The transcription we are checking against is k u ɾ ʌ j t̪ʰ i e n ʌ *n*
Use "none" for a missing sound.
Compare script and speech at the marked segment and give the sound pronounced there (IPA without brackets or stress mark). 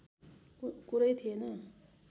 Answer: none